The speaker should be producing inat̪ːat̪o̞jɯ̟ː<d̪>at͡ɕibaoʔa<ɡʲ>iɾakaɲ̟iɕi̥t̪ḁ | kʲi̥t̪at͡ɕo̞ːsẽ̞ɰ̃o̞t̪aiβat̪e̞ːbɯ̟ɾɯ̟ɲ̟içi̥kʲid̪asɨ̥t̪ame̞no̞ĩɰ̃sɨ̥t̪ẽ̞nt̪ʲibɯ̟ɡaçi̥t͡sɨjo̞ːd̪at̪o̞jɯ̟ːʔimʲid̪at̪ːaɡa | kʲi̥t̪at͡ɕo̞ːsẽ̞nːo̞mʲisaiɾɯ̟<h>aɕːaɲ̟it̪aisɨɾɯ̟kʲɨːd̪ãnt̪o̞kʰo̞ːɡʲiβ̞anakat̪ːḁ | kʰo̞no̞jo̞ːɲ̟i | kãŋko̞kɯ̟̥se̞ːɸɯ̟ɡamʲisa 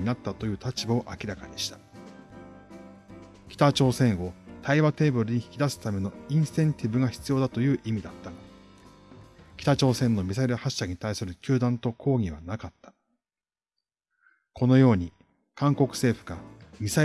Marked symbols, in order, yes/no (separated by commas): no, no, yes